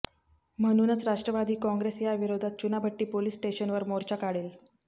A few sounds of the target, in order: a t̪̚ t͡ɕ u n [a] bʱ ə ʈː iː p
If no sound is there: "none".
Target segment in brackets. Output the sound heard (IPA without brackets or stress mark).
a